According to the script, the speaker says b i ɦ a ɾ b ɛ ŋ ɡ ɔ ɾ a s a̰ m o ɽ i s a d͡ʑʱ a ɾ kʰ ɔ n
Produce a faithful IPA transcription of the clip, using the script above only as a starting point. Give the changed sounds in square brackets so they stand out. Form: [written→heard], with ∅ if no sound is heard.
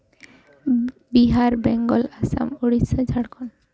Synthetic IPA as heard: b i ɦ a ɾ b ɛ ŋ ɡ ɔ [ɾ→l] a s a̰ m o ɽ i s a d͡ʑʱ a [ɾ→ɽ] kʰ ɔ n